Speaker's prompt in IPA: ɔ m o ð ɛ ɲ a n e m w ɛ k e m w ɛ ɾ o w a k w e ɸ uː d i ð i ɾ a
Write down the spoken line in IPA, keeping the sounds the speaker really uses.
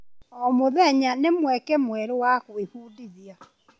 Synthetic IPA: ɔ m o ð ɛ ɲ a n e m w ɛ k ɛ m w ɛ ɾ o w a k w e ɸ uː d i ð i a